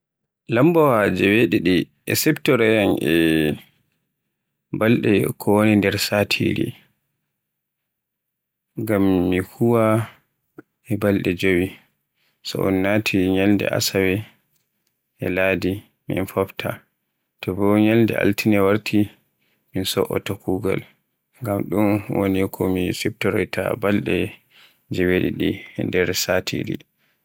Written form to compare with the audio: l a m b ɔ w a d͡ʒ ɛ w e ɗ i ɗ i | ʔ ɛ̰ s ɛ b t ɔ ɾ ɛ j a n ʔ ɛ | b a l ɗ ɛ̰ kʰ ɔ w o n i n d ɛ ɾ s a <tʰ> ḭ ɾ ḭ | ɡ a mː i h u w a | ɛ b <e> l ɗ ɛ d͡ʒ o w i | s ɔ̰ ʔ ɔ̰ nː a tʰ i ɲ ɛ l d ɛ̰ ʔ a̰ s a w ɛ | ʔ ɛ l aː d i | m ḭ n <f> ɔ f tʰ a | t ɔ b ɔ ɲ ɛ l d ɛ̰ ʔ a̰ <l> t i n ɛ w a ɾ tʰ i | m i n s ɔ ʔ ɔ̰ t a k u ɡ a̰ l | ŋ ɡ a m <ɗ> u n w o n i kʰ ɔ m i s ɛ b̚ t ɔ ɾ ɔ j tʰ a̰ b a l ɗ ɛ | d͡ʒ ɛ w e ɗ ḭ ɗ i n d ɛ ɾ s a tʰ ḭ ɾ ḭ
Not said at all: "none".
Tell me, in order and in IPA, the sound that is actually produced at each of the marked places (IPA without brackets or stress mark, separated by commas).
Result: tʰ, a, f, l, ɗ